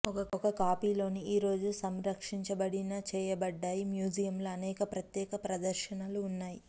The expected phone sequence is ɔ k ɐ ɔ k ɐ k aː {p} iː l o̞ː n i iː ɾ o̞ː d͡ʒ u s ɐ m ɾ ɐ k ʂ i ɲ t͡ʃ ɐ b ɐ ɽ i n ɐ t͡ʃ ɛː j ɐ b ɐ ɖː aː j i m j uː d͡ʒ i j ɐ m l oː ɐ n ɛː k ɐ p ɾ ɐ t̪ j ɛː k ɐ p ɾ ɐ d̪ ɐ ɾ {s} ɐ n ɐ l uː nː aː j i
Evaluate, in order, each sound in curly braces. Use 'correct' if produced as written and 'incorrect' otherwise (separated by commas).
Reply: correct, incorrect